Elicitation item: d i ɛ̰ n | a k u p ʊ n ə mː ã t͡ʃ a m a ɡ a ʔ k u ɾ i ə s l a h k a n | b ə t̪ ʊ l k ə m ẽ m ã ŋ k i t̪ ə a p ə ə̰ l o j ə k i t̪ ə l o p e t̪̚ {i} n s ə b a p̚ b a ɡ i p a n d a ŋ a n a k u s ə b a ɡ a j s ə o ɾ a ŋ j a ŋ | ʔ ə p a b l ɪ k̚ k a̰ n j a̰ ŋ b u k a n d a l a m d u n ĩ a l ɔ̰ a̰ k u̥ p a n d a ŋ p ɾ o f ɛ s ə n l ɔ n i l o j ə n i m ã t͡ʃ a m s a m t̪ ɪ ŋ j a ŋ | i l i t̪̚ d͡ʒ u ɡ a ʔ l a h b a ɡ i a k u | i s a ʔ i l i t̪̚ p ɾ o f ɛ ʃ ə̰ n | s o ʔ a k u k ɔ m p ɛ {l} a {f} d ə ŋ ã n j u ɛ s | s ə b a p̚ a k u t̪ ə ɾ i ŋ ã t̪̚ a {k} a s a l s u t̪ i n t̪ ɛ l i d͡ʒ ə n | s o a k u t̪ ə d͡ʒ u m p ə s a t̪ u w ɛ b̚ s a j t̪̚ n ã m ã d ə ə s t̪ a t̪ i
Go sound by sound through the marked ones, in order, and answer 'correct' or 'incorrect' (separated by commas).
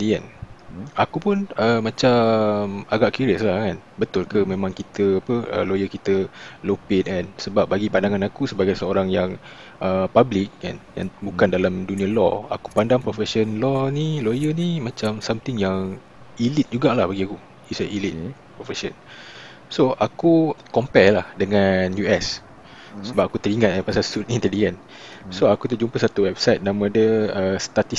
incorrect, correct, incorrect, incorrect